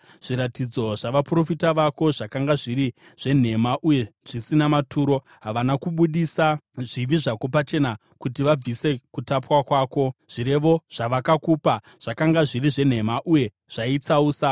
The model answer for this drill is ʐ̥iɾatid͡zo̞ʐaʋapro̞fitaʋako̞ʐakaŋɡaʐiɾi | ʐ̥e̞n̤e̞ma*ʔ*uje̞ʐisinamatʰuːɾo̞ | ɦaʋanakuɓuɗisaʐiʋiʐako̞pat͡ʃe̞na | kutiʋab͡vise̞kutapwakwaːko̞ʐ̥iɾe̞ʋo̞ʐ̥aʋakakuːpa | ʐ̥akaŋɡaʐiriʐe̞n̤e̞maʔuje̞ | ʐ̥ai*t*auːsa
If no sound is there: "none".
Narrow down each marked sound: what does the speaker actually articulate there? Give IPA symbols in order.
ʔ, t͡s

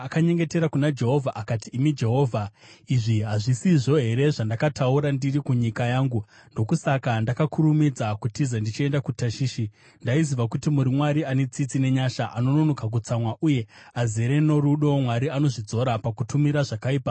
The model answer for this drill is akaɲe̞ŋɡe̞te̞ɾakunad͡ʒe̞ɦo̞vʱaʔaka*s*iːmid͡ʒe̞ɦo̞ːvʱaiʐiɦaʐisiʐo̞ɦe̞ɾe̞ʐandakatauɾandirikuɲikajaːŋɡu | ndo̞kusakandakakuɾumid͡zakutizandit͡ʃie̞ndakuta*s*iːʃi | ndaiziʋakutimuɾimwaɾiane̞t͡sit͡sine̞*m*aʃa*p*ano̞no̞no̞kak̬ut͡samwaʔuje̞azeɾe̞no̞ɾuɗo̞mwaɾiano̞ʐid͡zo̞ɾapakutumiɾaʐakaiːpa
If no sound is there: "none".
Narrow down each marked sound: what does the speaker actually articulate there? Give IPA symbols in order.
t, ʃ, ɲ, ʔ

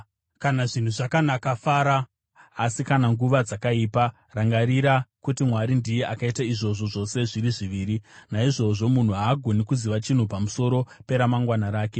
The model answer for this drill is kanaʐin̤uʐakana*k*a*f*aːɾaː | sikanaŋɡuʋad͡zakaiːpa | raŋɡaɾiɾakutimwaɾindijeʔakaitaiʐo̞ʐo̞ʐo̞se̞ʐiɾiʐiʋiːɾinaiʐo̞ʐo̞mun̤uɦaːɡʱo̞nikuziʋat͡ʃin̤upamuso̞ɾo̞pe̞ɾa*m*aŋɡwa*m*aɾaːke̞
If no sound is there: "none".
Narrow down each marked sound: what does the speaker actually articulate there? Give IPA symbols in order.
k, f, m, n

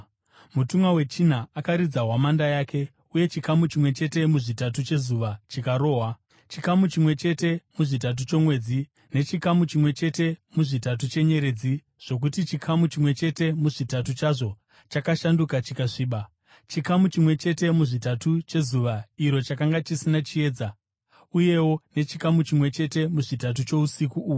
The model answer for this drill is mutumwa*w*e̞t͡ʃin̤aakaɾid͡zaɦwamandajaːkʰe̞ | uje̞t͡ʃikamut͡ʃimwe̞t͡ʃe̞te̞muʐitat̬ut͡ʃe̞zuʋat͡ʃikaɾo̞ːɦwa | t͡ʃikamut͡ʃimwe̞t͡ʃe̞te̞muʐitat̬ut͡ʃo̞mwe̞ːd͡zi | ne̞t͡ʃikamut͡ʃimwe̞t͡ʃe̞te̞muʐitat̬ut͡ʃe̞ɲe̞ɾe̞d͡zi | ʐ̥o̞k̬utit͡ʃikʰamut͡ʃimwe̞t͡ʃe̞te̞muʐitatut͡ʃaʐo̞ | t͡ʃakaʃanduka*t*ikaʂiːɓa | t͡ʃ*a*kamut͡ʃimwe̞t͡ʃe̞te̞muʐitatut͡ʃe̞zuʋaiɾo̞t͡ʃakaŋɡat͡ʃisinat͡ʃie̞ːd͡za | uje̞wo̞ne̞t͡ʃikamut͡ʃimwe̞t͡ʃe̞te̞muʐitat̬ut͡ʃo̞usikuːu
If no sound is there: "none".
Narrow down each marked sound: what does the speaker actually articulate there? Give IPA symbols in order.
w, t͡ʃ, i

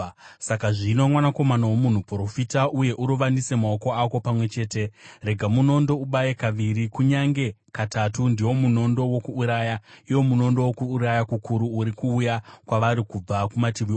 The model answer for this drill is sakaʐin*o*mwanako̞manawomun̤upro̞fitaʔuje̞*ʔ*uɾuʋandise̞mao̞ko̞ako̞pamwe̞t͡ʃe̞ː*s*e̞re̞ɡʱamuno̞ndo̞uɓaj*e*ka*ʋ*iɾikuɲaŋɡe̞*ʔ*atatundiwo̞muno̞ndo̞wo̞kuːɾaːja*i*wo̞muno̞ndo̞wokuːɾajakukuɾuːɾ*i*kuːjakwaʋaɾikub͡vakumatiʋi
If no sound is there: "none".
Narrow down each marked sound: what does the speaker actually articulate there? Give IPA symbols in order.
o, ʔ, t, e, ʋ, k, i, i

